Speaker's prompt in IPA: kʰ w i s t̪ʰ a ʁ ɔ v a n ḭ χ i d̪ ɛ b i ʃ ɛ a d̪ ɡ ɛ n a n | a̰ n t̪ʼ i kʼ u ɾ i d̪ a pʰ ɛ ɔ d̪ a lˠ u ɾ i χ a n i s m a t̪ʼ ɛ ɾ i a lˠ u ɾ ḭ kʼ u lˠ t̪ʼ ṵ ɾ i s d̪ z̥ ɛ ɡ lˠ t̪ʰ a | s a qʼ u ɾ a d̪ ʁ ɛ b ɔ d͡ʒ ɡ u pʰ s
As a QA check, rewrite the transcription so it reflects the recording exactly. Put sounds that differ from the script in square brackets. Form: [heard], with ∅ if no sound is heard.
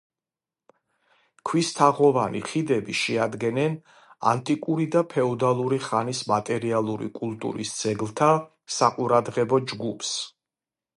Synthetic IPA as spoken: kʰ w i s t̪ʰ a ʁ ɔ v a n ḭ χ i d̪ ɛ b i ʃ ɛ a d̪ ɡ ɛ n [ɛ] n | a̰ n t̪ʼ i kʼ u ɾ i d̪ a pʰ ɛ ɔ d̪ a lˠ u ɾ i χ a n i s m a t̪ʼ ɛ ɾ i a lˠ u ɾ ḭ kʼ u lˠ t̪ʼ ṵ ɾ i s d̪ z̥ ɛ ɡ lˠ t̪ʰ a | s a qʼ u ɾ a d̪ ʁ ɛ b ɔ d͡ʒ ɡ u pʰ s